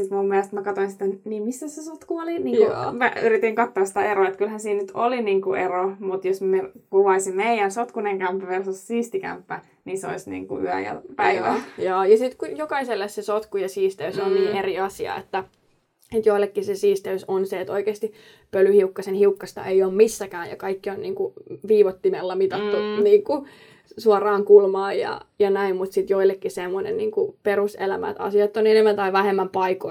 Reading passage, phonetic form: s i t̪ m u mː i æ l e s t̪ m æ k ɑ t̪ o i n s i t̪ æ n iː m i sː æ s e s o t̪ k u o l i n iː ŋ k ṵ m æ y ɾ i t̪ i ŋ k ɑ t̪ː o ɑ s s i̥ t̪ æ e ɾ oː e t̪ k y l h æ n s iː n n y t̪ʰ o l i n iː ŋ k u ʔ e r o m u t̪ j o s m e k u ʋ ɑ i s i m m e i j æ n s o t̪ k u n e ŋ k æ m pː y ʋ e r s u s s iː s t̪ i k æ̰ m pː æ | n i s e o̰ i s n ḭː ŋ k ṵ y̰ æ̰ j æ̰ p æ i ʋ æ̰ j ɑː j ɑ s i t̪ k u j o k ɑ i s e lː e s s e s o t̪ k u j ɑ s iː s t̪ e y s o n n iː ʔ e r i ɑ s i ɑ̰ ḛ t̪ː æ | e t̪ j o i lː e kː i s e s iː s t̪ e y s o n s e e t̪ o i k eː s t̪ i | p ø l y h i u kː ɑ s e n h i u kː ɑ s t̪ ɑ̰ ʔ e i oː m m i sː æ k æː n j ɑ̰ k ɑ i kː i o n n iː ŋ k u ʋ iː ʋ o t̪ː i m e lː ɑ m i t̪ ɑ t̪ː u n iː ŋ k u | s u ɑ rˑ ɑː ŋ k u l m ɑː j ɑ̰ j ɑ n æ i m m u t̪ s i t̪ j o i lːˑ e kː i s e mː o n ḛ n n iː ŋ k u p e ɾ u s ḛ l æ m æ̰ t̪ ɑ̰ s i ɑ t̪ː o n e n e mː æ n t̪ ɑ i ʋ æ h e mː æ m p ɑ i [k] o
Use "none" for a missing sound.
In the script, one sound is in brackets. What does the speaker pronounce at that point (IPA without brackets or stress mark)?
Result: k